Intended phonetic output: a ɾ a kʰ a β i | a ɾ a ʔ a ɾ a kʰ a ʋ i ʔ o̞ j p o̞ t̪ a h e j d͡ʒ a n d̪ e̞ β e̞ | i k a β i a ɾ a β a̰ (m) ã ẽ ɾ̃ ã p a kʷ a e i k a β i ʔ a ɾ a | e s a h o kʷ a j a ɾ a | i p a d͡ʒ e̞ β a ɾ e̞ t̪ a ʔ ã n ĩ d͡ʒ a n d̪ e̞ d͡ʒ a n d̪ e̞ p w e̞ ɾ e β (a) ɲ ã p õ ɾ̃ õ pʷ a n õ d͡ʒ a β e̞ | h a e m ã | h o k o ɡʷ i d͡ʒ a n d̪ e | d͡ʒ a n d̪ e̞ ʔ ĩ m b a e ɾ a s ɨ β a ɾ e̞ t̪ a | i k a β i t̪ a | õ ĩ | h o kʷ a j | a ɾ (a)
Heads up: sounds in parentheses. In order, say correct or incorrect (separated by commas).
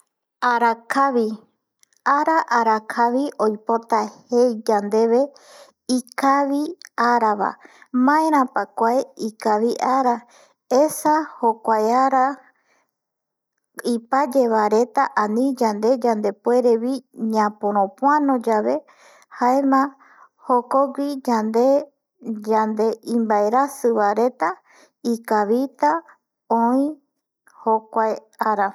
correct, incorrect, correct